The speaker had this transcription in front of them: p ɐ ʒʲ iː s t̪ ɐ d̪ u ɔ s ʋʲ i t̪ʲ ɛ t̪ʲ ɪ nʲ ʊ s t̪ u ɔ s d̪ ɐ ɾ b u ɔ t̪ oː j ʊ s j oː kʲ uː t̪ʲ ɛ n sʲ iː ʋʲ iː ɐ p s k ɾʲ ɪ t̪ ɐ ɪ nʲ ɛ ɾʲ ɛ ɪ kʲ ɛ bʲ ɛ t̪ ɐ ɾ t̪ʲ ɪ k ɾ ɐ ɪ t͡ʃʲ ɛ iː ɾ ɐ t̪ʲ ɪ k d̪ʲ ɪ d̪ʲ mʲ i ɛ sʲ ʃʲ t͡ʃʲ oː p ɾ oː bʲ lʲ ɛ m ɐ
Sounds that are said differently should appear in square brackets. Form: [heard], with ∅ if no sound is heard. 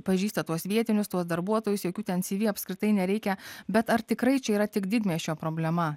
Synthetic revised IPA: p ɐ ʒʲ iː s t̪ ɐ [t̪] u ɔ s ʋʲ i [∅] ɛ t̪ʲ ɪ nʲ ʊ s t̪ u ɔ s d̪ ɐ ɾ b u ɔ t̪ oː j ʊ s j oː kʲ uː t̪ʲ ɛ n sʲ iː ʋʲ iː ɐ p s k ɾʲ ɪ t̪ ɐ ɪ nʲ ɛ ɾʲ ɛ ɪ kʲ ɛ bʲ ɛ t̪ ɐ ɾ t̪ʲ ɪ k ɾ ɐ ɪ t͡ʃʲ ɛ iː ɾ ɐ t̪ʲ ɪ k d̪ʲ ɪ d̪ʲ mʲ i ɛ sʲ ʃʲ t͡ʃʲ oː p ɾ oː bʲ lʲ ɛ m ɐ